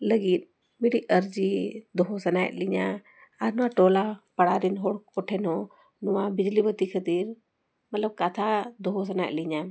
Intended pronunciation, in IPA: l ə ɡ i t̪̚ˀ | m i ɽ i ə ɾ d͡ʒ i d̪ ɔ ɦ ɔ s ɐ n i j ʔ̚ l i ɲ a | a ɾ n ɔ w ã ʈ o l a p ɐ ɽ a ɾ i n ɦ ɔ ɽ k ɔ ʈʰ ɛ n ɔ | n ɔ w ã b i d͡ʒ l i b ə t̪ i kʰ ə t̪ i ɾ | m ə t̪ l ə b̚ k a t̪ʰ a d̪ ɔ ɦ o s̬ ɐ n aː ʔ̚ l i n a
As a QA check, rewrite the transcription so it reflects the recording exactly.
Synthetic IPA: l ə ɡ i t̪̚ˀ | m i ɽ i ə ɾ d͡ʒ i d̪ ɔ ɦ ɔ s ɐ n a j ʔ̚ l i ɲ a | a ɾ n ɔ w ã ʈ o l a p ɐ ɽ a ɾ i n ɦ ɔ ɽ k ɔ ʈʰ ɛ n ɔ | n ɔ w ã b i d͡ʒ l i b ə t̪ i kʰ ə t̪ i ɾ | m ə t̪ l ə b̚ k a t̪ʰ a d̪ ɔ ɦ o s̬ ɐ n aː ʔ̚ l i ɲ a